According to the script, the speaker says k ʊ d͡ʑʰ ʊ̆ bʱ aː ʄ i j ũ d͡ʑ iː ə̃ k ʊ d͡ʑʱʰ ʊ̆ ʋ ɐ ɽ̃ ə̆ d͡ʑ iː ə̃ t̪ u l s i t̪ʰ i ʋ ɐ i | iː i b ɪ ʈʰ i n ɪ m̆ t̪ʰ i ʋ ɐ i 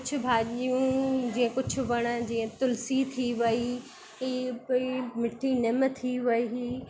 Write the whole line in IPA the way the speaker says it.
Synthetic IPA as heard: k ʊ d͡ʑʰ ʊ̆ bʱ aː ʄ i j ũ d͡ʑ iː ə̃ k ʊ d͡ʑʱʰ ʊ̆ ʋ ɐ ɽ̃ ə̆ d͡ʑ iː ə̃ t̪ ʊ l s i t̪ʰ i ʋ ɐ i | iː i m ɪ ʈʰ i n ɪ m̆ t̪ʰ i ʋ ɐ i